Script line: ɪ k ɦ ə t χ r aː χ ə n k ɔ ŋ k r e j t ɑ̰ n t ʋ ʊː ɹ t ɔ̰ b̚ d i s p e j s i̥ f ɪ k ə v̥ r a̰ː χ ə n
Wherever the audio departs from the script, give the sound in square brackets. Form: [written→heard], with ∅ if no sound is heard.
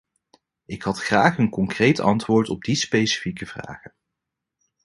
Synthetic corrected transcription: ɪ k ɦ [ə→ɑ] t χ r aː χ ə n k ɔ ŋ k r e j t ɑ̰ n t ʋ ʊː ɹ t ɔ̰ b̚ d i s p e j s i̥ f [ɪ→i] k ə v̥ r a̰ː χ ə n